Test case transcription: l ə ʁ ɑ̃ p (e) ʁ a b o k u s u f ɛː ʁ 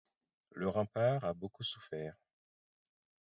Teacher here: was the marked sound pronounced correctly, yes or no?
no